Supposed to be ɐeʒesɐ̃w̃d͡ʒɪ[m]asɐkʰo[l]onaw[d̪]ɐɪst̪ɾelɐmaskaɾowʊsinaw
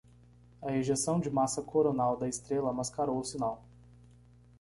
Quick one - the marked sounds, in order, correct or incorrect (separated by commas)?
correct, incorrect, correct